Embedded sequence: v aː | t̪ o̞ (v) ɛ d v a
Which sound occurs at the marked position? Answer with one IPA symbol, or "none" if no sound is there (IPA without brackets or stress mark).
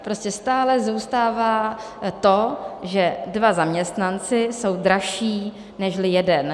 ʒ